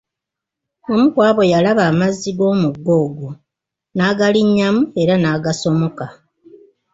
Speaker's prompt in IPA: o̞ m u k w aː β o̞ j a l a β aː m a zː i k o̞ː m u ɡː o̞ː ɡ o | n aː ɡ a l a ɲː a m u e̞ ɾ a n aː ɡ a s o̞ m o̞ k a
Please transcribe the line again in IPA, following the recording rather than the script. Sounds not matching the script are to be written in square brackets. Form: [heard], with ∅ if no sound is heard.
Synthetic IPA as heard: o̞ m u k w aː β o̞ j a l a β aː m a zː i [ɡ] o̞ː m u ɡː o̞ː ɡ o | n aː ɡ a l [i] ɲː a m u e̞ ɾ a n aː ɡ a s o̞ m o̞ k a